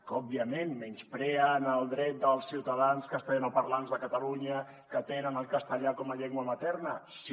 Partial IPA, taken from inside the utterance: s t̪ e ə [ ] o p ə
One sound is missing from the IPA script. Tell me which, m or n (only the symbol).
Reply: n